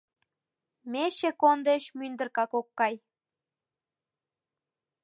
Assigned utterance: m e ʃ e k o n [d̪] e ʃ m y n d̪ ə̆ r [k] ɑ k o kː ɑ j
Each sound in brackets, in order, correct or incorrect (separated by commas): correct, correct